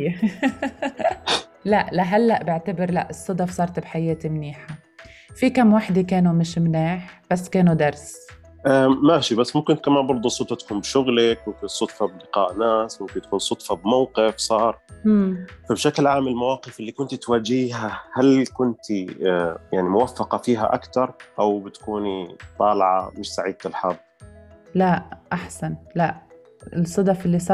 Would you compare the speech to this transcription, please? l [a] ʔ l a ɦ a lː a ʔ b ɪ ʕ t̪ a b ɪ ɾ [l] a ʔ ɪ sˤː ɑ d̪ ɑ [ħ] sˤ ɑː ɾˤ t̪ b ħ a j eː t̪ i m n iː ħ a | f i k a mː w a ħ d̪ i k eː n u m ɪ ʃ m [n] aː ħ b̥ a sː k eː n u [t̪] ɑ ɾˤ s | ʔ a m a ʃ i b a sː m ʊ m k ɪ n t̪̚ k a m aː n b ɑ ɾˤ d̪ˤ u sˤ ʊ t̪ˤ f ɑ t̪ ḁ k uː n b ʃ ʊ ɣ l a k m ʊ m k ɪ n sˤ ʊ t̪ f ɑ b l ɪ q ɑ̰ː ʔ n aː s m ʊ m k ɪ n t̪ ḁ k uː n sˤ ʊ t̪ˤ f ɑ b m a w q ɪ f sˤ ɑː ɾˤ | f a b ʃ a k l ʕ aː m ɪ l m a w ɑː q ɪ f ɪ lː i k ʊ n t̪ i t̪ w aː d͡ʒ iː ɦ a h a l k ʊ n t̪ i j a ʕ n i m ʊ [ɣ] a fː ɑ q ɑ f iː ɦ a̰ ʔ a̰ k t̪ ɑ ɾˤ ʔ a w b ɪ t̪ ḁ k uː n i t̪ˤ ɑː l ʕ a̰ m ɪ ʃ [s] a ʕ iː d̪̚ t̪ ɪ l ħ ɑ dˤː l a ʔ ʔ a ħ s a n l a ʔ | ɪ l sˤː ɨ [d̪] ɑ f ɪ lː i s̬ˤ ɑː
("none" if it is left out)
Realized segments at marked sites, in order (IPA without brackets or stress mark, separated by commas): a, l, f, n, d̪, w, s, d̪